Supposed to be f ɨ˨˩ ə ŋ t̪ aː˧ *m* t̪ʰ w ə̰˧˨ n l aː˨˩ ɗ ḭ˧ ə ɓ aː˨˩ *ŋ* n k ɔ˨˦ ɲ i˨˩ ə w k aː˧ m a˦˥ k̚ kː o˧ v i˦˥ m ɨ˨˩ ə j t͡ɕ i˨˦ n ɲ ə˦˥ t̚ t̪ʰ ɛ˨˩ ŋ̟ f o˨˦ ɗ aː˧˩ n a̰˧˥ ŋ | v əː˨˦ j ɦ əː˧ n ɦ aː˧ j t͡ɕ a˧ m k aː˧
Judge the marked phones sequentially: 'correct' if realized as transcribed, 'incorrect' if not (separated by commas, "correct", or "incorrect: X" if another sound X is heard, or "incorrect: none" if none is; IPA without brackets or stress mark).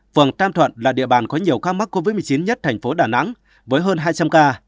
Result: correct, incorrect: none